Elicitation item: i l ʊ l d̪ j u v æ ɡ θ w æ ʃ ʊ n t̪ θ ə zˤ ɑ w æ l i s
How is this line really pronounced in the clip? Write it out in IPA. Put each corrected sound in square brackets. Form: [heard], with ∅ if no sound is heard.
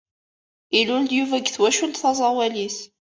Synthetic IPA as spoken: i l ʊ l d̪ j u v æ ɡ θ w æ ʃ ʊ n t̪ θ [ɑ] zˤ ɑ w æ l i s